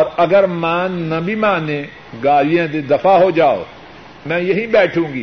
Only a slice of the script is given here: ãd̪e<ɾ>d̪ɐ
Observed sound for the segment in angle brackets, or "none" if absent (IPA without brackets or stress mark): none